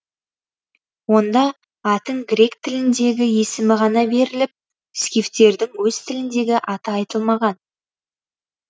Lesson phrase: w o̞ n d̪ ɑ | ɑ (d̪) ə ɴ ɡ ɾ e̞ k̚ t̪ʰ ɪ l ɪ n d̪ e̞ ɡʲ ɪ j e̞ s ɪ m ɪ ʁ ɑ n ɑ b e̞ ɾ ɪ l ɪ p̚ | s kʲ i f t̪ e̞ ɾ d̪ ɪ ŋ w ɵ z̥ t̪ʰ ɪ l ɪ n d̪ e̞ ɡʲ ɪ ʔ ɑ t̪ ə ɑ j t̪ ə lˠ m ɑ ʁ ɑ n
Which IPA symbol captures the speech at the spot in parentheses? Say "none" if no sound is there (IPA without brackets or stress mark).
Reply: t̪